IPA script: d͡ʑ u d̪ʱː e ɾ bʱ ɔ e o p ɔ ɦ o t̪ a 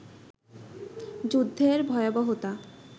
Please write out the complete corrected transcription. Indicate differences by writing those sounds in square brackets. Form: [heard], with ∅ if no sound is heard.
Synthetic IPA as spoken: d͡ʑ u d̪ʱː e ɾ bʱ ɔ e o [b] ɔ ɦ o t̪ a